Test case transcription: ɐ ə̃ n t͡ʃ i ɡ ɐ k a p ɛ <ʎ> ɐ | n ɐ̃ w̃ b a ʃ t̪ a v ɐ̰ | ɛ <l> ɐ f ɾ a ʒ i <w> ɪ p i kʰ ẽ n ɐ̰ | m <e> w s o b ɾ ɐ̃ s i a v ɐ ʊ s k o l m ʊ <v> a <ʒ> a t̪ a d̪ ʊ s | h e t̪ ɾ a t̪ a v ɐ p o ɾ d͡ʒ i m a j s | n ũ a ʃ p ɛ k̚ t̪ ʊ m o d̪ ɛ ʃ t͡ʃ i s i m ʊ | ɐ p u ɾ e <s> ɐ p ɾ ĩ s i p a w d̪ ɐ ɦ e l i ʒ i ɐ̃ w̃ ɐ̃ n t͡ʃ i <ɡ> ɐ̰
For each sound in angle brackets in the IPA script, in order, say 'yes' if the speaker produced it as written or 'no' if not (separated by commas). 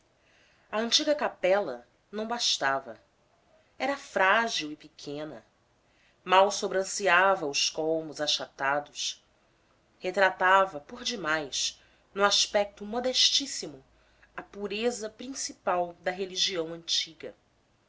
no, no, yes, no, no, no, no, yes